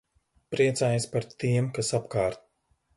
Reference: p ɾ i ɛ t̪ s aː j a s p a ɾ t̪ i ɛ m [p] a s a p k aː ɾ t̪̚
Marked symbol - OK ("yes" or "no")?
no